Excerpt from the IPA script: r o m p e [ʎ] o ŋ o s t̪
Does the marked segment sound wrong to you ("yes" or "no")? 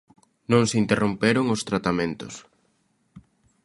yes